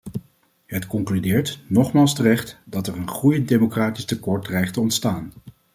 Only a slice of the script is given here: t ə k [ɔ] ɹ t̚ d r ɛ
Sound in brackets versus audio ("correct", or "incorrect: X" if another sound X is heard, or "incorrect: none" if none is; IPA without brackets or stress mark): correct